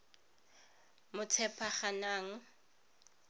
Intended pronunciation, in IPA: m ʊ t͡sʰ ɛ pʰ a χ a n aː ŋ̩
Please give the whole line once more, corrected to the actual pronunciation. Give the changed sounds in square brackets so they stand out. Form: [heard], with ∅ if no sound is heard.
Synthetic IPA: m ʊ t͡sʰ ɛ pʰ a χ a n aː ŋ̩